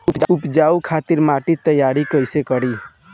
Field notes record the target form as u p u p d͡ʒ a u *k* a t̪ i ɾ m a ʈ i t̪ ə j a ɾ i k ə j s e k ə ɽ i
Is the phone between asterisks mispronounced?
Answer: yes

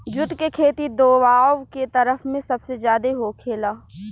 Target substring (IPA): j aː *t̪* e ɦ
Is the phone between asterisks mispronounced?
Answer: yes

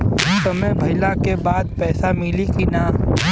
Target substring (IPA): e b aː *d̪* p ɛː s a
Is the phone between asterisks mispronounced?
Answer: no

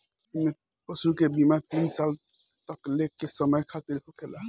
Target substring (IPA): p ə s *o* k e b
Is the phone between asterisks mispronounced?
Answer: yes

